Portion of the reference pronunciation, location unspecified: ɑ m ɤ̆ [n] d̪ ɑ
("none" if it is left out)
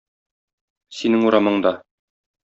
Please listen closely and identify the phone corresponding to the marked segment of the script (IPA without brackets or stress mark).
ɴ